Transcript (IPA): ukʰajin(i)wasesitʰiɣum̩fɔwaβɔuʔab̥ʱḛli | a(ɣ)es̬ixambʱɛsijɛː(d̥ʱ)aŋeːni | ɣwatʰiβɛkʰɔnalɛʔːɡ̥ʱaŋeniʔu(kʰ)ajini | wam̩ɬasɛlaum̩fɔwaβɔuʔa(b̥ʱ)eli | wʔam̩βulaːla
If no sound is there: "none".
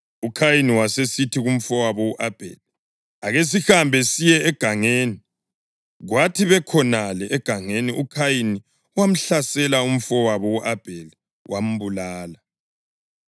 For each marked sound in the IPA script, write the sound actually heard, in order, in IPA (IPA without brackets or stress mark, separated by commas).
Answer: i, ɣ, ɡ̥ʱ, kʰ, b̥ʱ